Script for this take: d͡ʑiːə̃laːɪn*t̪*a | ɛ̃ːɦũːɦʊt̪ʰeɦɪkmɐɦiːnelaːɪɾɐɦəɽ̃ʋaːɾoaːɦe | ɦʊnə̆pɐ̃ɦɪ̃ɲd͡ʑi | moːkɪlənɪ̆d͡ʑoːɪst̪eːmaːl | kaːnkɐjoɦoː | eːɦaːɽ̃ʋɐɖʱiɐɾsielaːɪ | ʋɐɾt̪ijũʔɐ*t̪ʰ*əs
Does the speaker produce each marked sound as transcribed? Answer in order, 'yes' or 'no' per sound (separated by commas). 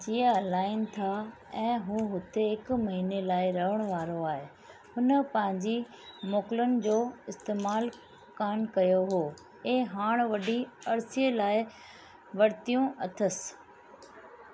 no, yes